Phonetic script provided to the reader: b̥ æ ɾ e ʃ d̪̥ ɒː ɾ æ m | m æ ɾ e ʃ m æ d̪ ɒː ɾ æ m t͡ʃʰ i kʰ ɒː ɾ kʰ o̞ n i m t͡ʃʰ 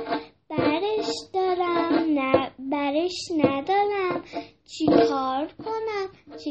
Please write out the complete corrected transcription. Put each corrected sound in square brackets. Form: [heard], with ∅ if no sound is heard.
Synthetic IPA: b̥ æ ɾ e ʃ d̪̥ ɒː ɾ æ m | [b] æ ɾ e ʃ [n] æ d̪ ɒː ɾ æ m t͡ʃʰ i kʰ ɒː ɾ kʰ o̞ n [æ] m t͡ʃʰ